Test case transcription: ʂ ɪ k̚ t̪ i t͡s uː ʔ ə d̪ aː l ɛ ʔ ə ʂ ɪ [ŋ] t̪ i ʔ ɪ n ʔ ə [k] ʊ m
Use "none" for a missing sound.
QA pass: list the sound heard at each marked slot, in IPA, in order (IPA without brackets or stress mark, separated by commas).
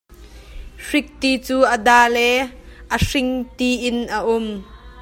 ŋ, ʔ